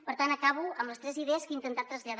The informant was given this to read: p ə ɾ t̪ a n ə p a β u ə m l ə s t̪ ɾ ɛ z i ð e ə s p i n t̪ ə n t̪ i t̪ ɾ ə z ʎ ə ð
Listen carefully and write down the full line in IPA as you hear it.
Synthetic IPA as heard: p ə ɾ t̪ a n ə k a β u ə m l ə s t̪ ɾ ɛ z i ð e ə s k i n t̪ ə n t̪ a t̪ ɾ ə z ʎ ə ð